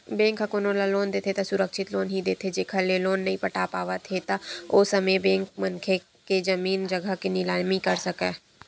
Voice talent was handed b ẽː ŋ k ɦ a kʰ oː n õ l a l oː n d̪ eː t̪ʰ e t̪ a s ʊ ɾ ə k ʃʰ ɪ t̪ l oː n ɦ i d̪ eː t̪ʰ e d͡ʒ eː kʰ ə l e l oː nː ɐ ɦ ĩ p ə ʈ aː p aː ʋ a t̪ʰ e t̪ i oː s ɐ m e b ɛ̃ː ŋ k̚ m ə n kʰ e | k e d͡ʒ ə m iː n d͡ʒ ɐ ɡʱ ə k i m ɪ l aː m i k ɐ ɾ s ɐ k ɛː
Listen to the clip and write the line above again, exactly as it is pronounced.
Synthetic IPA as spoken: b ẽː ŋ k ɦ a k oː n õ l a l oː n d̪ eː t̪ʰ e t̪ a s ʊ ɾ ə k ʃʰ ɪ t̪ l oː n ɦ i d̪ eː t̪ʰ e d͡ʒ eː kʰ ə l e l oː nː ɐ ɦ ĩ p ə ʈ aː p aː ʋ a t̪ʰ e t̪ a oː s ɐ m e b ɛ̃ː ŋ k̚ m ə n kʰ e | k e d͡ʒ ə m iː n d͡ʒ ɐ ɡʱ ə k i n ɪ l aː m i k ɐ ɾ s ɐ k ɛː